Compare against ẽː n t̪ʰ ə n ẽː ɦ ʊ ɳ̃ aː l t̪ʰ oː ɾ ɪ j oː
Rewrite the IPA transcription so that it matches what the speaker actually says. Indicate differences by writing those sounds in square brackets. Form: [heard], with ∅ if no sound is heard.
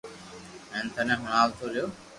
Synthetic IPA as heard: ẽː n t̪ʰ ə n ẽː ɦ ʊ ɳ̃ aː l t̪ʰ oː ɾ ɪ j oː